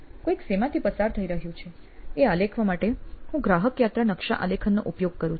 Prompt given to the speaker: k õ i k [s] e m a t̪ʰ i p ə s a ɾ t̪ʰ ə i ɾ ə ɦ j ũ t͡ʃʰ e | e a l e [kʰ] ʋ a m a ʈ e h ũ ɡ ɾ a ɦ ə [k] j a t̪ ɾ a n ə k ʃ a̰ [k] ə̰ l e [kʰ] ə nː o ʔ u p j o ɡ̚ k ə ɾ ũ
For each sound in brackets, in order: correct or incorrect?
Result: correct, correct, correct, incorrect: ʔ, correct

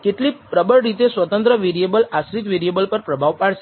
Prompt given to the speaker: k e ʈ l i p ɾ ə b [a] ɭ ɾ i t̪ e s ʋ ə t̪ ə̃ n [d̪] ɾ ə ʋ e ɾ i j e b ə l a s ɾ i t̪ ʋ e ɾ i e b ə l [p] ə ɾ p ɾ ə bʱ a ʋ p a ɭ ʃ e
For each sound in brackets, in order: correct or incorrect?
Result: incorrect: ə, incorrect: t̪, correct

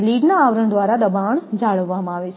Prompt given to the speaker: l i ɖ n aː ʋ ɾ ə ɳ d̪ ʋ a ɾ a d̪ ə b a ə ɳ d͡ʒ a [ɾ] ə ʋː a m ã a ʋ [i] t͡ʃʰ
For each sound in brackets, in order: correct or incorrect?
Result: incorrect: ɭ, incorrect: e

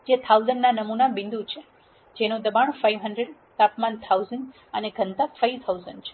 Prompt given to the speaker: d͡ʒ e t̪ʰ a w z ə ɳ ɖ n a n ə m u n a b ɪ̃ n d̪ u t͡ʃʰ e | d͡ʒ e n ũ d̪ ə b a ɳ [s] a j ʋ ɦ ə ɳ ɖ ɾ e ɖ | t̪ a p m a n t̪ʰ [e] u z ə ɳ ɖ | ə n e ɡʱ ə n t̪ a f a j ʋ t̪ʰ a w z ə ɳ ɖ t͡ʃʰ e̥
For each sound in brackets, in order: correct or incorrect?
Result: incorrect: f, incorrect: a

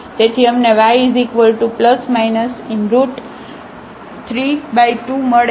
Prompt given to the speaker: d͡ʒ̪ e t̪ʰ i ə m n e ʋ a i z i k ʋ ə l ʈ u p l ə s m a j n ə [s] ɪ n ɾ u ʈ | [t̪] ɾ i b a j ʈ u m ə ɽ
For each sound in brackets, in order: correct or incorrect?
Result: correct, incorrect: t̪ʰ

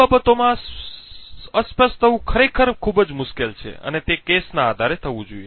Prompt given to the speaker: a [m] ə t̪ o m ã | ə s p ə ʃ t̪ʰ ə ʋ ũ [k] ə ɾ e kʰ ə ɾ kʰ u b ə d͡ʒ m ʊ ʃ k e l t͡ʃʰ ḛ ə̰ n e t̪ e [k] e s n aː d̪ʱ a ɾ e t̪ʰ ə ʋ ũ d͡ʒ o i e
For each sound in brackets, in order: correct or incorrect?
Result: incorrect: b, incorrect: kʰ, correct

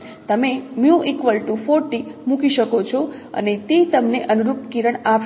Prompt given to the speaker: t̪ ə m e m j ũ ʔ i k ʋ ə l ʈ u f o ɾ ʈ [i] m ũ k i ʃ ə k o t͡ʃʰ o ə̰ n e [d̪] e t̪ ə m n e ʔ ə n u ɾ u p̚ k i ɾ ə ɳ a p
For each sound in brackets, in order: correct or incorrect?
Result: correct, incorrect: t̪

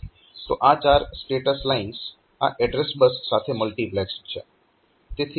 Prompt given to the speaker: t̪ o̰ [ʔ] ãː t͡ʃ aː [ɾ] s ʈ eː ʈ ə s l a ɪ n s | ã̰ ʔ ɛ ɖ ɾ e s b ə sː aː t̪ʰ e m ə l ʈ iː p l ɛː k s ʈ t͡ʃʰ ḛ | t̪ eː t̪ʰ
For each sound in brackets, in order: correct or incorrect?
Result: correct, correct

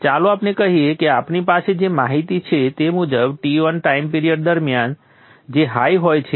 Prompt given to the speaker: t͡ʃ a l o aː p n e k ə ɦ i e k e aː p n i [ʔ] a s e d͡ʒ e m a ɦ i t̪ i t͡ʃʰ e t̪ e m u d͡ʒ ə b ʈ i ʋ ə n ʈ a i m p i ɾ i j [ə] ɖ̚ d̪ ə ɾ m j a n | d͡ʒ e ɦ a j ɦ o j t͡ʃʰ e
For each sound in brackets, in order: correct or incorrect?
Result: incorrect: p, correct

